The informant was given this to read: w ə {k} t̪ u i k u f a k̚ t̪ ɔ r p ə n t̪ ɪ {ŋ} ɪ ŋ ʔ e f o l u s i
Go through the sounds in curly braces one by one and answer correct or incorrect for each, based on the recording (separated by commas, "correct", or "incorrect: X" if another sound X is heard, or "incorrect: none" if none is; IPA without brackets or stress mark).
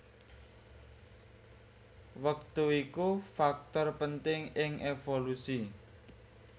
correct, correct